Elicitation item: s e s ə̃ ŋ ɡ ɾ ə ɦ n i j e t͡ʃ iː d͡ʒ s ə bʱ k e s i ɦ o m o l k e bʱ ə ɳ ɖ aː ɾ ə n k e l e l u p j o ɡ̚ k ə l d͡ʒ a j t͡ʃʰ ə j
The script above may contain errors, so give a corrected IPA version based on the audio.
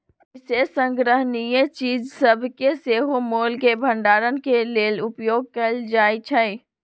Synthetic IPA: s e s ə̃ ŋ ɡ ɾ ə ɦ n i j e t͡ʃ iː d͡ʒ s ə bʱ k e s e ɦ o m o l k e bʱ ə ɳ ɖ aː ɾ ə n k e l e l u p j o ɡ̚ k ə l d͡ʒ a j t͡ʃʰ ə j